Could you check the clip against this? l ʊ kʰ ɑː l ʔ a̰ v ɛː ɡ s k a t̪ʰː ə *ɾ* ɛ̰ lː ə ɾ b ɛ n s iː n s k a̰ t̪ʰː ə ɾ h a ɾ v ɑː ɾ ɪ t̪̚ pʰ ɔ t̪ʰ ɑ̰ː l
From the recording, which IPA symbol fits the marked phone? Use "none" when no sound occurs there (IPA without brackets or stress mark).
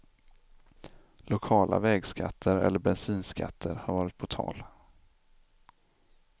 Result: ɾ